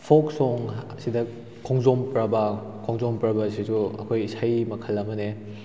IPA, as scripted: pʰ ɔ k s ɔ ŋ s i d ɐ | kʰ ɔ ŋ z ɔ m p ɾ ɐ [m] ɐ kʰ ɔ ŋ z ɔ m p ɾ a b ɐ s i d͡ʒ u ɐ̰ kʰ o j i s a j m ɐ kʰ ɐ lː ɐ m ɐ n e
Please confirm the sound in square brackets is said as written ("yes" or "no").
no